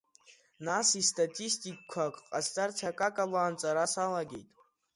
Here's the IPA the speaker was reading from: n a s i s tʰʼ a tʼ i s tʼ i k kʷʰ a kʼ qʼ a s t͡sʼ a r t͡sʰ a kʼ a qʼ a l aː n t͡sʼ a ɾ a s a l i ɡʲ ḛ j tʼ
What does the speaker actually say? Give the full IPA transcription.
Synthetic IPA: n a s i s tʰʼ a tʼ i s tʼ i k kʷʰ a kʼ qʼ a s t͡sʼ a r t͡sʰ a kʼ a kʼ a l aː n t͡sʼ a ɾ a s a l a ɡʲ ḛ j tʼ

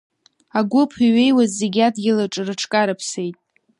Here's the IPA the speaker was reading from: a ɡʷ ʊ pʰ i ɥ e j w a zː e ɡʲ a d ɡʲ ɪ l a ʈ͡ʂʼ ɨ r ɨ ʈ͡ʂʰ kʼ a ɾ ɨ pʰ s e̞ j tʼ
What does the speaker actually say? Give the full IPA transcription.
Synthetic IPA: a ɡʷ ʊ pʰ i ɥ e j w a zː e ɡʲ a d ɡʲ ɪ l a ʈ͡ʂʼ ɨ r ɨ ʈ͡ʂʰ kʼ a ɾ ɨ pʰ s e̞ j tʼ

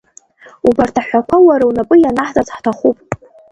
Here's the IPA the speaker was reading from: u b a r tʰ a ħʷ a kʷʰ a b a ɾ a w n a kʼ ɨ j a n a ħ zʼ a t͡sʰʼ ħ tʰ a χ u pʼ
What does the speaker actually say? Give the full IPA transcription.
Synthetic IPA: u b a r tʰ a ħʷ a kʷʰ a w a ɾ a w n a pʼ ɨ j a n a ħ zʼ a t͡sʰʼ ħ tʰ a χ u pʼ

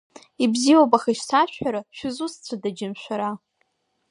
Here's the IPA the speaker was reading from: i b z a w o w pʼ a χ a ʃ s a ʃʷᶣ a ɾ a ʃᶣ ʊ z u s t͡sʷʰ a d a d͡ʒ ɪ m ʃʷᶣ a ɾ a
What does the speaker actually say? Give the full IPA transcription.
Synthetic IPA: i b z i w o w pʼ a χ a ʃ s a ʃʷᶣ a ɾ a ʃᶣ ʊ z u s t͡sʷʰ a d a d͡ʒ ɪ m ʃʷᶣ a ɾ a

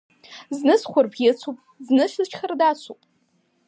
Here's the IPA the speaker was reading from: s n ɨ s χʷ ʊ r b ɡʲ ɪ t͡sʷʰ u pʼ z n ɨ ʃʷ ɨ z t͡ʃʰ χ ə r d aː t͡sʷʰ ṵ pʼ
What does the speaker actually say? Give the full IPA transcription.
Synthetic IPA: z n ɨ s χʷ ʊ r b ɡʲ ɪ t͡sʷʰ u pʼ z n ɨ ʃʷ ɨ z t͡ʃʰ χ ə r d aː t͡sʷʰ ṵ pʼ

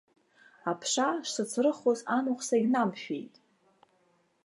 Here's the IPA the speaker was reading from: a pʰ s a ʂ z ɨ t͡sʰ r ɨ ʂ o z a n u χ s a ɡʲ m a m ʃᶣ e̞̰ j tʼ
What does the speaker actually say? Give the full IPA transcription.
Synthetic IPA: a pʰ ʂ a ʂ s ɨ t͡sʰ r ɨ χ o z a n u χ s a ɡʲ n a m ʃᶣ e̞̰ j tʼ

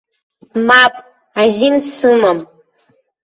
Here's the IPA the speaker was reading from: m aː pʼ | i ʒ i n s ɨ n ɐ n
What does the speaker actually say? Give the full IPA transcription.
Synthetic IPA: m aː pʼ | a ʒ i n s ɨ m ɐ m

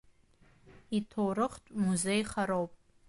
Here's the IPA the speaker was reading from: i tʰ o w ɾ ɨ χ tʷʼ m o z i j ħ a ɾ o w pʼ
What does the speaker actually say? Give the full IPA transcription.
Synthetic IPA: i tʰ o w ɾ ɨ χ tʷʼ m u z e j χ a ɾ o w pʼ

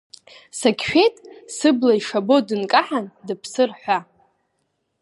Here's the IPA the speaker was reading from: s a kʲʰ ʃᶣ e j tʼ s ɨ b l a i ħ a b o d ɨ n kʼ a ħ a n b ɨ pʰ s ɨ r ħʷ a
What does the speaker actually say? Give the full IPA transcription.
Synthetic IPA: s a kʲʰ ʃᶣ e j tʼ s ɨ b l a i ʂ a b o d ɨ n kʼ a ħ a n d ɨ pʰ s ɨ r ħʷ a

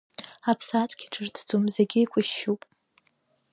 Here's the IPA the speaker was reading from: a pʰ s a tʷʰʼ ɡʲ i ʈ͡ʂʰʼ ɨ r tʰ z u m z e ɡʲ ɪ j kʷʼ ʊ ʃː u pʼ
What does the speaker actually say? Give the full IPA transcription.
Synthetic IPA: a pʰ s a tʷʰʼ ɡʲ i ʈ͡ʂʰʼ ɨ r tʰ d͡z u m z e ɡʲ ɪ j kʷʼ ʊ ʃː u pʼ

